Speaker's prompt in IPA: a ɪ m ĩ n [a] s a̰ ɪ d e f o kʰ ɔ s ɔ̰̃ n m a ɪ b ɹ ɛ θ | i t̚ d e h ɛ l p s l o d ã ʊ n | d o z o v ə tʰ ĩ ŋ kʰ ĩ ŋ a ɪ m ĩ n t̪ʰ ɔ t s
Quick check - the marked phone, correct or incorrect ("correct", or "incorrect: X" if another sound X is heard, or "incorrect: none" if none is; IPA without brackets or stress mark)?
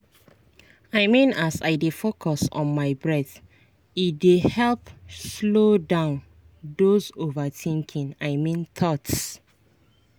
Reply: correct